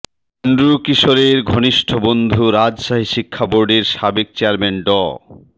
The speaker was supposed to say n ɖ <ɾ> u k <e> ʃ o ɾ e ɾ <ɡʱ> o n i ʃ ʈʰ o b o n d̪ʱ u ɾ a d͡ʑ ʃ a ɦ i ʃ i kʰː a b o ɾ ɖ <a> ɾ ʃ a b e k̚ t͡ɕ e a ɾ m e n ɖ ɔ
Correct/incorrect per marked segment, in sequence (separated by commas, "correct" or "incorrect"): correct, incorrect, correct, incorrect